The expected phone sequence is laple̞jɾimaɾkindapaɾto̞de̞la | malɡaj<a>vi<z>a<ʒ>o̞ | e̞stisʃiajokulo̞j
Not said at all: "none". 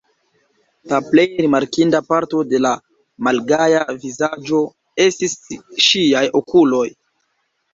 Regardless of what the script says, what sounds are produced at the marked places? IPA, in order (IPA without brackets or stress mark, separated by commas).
a, z, d͡ʒ